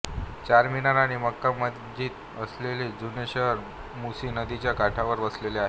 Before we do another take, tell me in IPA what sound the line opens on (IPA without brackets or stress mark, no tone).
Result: t͡ɕ